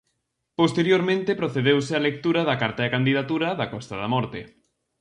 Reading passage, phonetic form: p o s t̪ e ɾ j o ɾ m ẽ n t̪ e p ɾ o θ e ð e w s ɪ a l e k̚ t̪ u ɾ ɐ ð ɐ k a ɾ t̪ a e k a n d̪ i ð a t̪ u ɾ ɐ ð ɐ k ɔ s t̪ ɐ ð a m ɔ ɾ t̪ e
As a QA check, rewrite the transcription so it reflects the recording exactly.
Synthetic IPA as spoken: p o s t̪ e ɾ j o ɾ m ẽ n t̪ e p ɾ o θ e ð e w s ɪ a l e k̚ t̪ u ɾ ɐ ð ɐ k a ɾ t̪ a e k a n d̪ i ð a t̪ u ɾ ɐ ð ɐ k ɔ s t̪ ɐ ð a m ɔ ɾ t̪ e